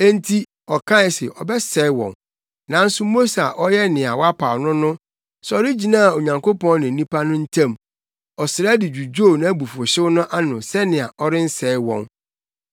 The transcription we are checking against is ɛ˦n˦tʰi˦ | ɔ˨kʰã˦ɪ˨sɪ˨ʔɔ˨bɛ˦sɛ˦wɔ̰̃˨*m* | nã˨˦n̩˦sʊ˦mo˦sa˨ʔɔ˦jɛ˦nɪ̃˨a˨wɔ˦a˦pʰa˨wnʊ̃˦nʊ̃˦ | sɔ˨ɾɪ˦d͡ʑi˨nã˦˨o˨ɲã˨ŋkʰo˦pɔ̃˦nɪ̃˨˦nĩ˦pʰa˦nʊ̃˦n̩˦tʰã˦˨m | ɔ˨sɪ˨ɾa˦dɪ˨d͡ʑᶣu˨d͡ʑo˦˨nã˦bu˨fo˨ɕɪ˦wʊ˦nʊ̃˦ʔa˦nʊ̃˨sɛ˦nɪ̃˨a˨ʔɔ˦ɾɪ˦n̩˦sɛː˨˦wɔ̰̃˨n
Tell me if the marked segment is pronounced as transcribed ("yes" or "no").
no